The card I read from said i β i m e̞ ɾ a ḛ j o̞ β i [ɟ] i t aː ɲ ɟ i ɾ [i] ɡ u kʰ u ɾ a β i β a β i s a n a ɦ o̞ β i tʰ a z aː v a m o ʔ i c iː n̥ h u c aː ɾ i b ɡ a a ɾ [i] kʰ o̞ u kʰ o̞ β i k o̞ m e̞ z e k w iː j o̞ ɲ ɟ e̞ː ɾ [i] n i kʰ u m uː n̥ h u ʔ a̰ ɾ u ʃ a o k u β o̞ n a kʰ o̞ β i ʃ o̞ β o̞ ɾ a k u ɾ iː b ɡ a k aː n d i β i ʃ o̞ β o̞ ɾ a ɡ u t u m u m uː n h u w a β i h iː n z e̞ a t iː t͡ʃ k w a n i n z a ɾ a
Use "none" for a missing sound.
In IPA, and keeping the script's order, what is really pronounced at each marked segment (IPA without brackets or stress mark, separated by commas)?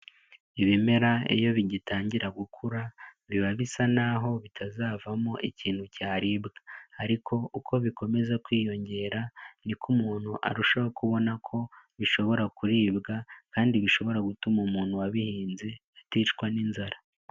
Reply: ɟ, a, i, a